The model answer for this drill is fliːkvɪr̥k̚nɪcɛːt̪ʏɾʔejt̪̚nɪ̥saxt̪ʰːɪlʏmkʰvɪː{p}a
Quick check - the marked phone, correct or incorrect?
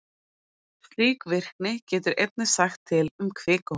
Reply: incorrect